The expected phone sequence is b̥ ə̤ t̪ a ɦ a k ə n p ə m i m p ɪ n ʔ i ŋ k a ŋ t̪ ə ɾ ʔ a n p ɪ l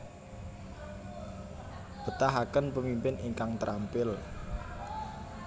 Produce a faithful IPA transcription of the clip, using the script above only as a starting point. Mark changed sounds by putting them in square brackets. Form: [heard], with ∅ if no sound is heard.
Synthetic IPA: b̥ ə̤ t̪ a ɦ a k ə n p ə m i m p ɪ n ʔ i ŋ k a ŋ t̪ ə ɾ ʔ a [m] p ɪ l